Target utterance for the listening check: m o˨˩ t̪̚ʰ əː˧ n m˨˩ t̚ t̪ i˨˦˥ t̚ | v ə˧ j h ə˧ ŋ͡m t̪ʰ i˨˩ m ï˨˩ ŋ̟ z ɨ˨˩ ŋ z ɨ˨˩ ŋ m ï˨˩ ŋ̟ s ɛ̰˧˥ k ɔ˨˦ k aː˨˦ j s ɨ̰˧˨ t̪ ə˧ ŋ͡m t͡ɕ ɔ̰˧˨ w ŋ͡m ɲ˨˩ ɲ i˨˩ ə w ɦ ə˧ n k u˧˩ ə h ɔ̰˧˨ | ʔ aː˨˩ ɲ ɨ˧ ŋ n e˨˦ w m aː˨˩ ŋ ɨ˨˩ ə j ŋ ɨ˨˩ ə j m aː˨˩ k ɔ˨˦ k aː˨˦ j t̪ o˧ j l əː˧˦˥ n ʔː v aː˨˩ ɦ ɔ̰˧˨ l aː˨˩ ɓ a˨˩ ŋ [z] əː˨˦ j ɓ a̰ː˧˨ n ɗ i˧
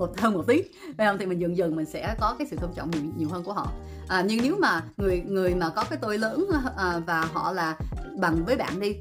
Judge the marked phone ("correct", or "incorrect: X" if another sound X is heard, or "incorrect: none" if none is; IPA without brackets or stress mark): incorrect: v